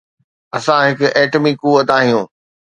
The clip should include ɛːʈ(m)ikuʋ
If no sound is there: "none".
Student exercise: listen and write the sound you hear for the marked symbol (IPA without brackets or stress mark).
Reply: m